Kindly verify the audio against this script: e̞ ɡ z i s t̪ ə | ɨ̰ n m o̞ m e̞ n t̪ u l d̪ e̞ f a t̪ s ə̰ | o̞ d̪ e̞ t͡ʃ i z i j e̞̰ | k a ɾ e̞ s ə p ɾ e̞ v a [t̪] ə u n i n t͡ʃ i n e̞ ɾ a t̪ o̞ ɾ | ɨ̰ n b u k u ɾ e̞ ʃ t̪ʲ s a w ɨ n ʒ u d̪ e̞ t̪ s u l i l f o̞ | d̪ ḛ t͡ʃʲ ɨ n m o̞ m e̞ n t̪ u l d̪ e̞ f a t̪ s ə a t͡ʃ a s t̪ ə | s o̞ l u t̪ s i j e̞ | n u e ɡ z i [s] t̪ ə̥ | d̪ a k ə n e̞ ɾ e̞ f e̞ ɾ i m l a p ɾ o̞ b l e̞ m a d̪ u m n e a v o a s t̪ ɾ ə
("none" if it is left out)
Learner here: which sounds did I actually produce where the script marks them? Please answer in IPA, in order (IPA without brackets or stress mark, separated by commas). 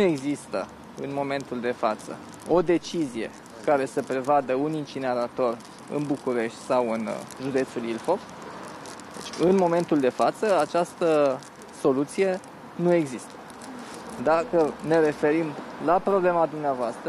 d̪, s